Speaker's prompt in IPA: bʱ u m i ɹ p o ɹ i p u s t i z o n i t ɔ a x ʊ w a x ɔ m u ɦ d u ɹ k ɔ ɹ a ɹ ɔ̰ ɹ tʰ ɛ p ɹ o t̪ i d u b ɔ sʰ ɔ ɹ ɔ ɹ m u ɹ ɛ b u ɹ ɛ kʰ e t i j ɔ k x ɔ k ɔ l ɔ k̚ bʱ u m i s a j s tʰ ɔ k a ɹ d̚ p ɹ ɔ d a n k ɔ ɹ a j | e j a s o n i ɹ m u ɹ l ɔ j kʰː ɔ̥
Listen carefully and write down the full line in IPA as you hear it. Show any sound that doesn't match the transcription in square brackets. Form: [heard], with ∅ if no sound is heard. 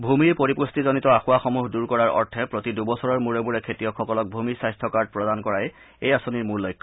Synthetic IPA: bʱ u m i ɹ p o ɹ i p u s t i z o n i t ɔ a x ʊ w a x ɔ m u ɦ d u ɹ k ɔ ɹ a ɹ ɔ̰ ɹ tʰ ɛ p ɹ o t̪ i d u b ɔ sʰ ɔ ɹ ɔ ɹ m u ɹ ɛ b u ɹ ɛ kʰ e t i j ɔ k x ɔ k ɔ l ɔ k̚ bʱ u m i s a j s tʰ ɔ k a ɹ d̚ p ɹ ɔ d a n k ɔ ɹ a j | e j a s o n i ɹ m u ɹ l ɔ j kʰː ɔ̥